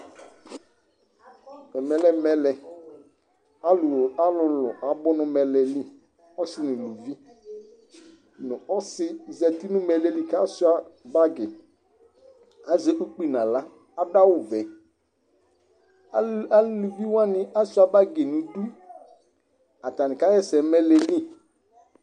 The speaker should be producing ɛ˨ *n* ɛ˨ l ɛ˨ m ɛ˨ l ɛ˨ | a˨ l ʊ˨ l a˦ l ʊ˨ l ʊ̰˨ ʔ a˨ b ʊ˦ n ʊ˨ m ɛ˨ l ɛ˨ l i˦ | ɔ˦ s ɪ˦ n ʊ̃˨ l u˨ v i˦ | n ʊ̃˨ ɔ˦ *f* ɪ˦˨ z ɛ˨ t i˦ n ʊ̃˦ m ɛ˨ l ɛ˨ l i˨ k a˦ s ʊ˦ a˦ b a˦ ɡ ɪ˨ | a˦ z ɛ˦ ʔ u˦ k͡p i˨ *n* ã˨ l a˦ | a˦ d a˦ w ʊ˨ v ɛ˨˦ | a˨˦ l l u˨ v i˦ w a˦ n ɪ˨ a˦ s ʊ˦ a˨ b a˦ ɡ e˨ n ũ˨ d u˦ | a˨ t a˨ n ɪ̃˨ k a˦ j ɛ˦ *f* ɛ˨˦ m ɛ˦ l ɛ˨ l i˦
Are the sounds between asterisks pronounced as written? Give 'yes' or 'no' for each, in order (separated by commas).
no, no, yes, no